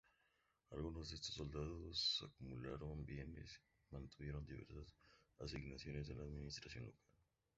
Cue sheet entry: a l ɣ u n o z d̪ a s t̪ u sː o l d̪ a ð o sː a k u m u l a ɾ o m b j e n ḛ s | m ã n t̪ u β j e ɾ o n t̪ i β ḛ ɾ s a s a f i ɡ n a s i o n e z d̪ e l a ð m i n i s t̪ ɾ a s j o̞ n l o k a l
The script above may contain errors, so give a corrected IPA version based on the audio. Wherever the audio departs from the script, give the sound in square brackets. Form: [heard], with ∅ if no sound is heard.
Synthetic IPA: a l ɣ u n o z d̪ [e] s t̪ [o] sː o l d̪ a ð o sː a k u m u l a ɾ o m b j e n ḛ s | m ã n t̪ u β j e ɾ o n [d̪] i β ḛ ɾ s a s a [s] i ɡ n a s [j] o n e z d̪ e l a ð m i n i s t̪ ɾ a s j o̞ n l o k a l